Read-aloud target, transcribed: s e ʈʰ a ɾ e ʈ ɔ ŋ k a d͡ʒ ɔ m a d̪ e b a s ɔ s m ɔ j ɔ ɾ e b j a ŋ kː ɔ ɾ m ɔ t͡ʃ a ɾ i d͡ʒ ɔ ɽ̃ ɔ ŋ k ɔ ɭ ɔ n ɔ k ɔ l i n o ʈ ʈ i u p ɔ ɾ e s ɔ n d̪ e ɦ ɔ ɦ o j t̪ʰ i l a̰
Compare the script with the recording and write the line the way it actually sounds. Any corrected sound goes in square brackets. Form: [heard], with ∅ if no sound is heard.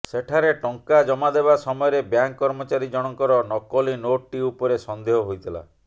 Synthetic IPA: s e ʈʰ a ɾ e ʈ ɔ ŋ k a d͡ʒ ɔ m a d̪ e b a s ɔ [∅] m ɔ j ɔ ɾ e b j a ŋ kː ɔ ɾ m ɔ t͡ʃ a ɾ i d͡ʒ ɔ ɽ̃ ɔ ŋ k ɔ [ɾ] ɔ n ɔ k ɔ l i n o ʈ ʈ i u p ɔ ɾ e s ɔ n d̪ e ɦ ɔ ɦ o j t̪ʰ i l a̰

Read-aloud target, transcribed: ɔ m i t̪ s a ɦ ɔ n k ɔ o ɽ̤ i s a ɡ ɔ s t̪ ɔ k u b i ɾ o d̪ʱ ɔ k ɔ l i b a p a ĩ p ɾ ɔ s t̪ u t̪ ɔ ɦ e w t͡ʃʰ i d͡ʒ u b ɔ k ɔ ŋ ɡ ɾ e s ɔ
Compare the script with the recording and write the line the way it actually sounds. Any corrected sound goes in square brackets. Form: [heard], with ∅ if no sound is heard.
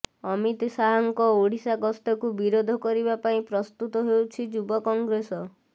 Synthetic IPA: ɔ m i t̪ s a ɦ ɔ [ŋ] k ɔ o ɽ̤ i s a ɡ ɔ s t̪ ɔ k u b i ɾ o d̪ʱ ɔ k ɔ [ɾ] i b a p a ĩ p ɾ ɔ s t̪ u t̪ ɔ ɦ e w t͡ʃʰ i d͡ʒ u b ɔ k ɔ ŋ ɡ ɾ e s ɔ

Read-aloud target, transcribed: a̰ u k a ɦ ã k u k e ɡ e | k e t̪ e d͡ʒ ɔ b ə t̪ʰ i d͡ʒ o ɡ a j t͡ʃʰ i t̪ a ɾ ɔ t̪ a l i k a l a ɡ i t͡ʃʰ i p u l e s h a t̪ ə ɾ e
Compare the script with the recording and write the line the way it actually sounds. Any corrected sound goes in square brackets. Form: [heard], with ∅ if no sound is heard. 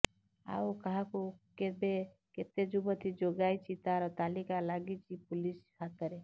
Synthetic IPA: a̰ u k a ɦ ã k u k e [b] e | k e t̪ e d͡ʒ [u] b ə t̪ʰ i d͡ʒ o ɡ a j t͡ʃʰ i t̪ a ɾ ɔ t̪ a l i k a l a ɡ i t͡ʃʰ i p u l [i] s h a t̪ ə ɾ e

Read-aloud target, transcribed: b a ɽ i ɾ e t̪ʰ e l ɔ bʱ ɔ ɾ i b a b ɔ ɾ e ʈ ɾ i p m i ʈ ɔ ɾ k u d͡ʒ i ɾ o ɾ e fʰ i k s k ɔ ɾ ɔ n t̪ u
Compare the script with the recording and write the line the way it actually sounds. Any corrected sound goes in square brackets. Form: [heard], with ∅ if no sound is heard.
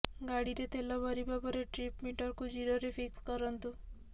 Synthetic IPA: [ɡ] a ɽ i ɾ e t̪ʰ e l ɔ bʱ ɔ ɾ i b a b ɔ ɾ e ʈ ɾ i p m i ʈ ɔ ɾ k u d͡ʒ i ɾ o ɾ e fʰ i k s k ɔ ɾ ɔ n t̪ u

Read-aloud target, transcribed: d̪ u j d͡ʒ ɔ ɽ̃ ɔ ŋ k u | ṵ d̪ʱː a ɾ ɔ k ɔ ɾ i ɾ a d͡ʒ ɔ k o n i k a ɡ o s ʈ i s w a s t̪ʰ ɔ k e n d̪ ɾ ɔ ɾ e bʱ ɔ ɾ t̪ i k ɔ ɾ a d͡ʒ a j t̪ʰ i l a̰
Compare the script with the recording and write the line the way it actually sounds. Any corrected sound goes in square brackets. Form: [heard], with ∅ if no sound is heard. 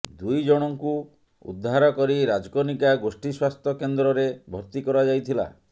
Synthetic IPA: d̪ u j d͡ʒ ɔ ɽ̃ ɔ ŋ k u | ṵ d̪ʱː a ɾ ɔ k ɔ ɾ i ɾ a d͡ʒ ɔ k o n i k a ɡ o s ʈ i s w a s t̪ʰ ɔ k e n d̪ ɾ ɔ ɾ e bʱ ɔ ɾ t̪ i k ɔ ɾ a d͡ʒ a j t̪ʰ i l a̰

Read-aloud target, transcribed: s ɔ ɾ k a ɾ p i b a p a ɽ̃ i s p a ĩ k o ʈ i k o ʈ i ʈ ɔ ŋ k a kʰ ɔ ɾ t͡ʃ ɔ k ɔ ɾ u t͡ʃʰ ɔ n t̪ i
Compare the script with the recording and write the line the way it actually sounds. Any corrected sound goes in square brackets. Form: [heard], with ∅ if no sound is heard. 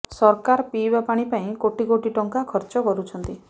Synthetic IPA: s ɔ ɾ k a ɾ p i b a p a ɽ̃ i [∅] p a ĩ k o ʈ i k o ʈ i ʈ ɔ ŋ k a kʰ ɔ ɾ t͡ʃ ɔ k ɔ ɾ u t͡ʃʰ ɔ n t̪ i

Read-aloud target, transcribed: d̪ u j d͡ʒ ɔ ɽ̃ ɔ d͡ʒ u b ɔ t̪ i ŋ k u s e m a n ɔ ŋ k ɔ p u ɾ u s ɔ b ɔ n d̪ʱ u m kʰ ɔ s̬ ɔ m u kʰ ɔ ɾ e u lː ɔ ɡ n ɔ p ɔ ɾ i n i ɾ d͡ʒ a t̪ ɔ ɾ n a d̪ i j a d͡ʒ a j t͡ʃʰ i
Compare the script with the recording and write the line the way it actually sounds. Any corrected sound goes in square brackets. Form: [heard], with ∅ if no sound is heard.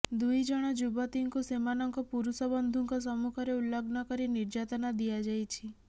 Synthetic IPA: d̪ u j d͡ʒ ɔ ɽ̃ ɔ d͡ʒ u b ɔ t̪ i ŋ k u s e m a n ɔ ŋ k ɔ p u ɾ u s ɔ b ɔ n d̪ʱ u [ŋ] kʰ ɔ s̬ ɔ m u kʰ ɔ ɾ e u lː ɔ ɡ n ɔ [k] ɔ ɾ i n i ɾ d͡ʒ a t̪ ɔ [∅] n a d̪ i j a d͡ʒ a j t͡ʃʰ i

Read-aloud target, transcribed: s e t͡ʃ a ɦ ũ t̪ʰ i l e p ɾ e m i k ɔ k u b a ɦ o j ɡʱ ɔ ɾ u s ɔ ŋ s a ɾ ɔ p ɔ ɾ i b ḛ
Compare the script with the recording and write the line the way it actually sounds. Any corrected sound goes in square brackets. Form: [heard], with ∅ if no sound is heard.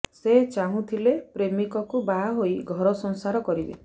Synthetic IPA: s e t͡ʃ a ɦ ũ t̪ʰ i l e p ɾ e m i k ɔ k u b a ɦ o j ɡʱ ɔ ɾ [ɔ] s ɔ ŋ s a ɾ ɔ [k] ɔ ɾ i b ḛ

